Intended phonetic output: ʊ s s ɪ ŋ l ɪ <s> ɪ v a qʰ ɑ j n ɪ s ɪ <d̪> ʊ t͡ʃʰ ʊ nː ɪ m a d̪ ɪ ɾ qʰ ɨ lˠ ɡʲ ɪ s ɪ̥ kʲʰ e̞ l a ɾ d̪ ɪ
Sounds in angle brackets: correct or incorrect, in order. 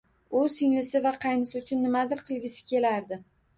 correct, incorrect

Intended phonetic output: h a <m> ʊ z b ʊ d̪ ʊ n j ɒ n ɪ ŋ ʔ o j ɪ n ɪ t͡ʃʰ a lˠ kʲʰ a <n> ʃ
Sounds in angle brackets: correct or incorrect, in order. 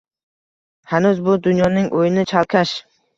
incorrect, incorrect

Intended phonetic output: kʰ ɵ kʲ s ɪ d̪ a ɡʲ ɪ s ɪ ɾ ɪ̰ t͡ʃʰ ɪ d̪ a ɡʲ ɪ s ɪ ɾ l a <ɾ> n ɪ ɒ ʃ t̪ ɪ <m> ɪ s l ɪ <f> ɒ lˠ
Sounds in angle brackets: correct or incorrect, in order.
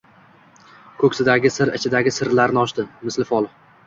correct, correct, correct

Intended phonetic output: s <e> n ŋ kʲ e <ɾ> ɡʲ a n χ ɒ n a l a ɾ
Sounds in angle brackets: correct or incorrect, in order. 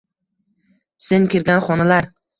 correct, correct

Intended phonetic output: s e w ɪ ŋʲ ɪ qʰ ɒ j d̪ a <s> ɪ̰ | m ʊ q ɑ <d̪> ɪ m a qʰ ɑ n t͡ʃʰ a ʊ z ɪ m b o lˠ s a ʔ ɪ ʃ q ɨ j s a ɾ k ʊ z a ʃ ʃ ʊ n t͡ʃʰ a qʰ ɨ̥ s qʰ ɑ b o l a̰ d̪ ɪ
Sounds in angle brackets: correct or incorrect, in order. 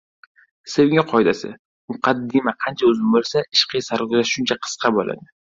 correct, incorrect

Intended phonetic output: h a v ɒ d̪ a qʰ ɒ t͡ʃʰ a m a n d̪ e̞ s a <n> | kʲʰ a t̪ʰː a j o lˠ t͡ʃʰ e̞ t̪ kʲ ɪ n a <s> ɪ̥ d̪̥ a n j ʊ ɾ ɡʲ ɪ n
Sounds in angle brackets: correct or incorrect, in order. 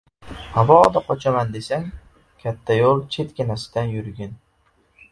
incorrect, correct

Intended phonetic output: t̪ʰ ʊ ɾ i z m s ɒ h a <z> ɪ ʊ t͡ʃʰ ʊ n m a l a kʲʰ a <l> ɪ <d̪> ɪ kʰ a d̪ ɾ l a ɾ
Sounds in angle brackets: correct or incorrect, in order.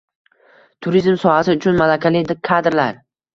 incorrect, correct, correct

